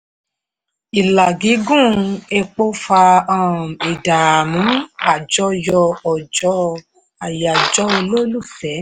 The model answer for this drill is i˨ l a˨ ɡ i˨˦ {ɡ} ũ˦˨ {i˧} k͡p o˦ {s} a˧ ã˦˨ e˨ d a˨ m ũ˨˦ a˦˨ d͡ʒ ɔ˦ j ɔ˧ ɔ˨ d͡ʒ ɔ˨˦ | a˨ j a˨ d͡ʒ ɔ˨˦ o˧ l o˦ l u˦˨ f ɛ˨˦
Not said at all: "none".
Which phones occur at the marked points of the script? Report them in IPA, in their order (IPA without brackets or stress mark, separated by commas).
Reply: ɡ, e˧, f